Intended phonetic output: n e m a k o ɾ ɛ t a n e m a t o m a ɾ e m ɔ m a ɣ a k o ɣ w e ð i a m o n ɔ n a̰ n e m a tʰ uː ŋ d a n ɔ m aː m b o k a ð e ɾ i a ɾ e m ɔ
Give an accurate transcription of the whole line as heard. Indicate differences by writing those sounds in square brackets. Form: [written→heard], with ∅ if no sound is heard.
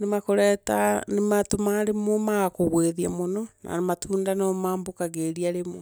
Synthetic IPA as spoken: n e m a k o ɾ ɛ t a n e m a t o m a ɾ e m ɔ m a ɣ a k o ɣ w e ð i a m o n ɔ n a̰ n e m a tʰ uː [ŋ→n] d a n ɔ m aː m b o k a [ð→ɣ] e ɾ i a ɾ e m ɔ